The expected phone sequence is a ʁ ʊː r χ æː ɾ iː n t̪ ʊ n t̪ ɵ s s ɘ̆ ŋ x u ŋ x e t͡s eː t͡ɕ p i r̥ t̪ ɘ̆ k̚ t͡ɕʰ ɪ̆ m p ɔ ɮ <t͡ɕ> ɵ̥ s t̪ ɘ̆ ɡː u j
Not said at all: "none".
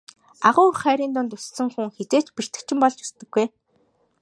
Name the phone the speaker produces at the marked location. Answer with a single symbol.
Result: t͡ɕ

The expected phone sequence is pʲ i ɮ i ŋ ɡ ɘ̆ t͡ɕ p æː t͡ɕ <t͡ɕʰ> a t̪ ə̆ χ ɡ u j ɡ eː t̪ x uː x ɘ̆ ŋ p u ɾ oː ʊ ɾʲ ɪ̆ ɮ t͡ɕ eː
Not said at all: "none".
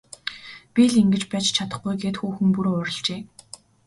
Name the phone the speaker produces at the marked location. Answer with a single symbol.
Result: t͡ɕʰ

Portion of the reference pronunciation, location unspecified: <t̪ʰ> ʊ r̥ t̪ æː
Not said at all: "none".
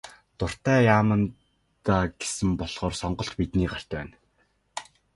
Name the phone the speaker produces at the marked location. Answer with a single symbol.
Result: t̪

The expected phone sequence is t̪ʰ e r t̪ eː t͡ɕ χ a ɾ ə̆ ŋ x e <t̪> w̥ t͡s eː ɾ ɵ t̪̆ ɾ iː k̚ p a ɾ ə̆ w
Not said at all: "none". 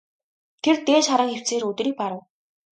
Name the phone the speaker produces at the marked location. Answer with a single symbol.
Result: none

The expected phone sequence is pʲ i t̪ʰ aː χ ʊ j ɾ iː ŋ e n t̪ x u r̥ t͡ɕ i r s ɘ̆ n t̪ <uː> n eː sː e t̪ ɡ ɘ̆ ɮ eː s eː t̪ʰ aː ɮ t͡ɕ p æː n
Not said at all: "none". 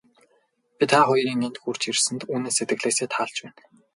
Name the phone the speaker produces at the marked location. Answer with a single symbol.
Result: uː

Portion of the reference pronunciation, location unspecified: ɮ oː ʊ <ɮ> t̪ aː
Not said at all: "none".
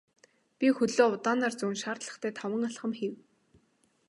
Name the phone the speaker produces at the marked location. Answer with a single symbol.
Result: none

